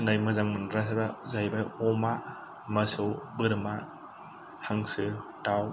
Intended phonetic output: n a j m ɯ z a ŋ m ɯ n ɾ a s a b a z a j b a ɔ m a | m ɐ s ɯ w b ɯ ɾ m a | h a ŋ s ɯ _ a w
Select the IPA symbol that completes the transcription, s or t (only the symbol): t